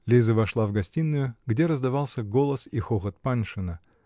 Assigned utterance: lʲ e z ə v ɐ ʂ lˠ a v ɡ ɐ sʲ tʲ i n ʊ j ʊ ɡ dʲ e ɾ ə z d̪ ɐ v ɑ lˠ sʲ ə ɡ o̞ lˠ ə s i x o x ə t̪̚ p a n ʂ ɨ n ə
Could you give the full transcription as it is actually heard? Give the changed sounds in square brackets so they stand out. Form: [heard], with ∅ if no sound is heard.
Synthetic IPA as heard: lʲ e z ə v ɐ ʂ lˠ a v ɡ ɐ sʲ tʲ i [nː] ʊ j ʊ ɡ dʲ e ɾ ə z d̪ ɐ v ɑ lˠ sʲ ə ɡ o̞ lˠ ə s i x o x ə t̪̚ p a n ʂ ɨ n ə